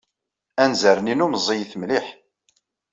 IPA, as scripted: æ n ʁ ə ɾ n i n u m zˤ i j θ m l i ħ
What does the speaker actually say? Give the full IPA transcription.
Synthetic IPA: æ n z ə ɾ n i n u m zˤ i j θ m l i ħ